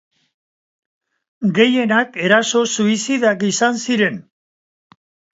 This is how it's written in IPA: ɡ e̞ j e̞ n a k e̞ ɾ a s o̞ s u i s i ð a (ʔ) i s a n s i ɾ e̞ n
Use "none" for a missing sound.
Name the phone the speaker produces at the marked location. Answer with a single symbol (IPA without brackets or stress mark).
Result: k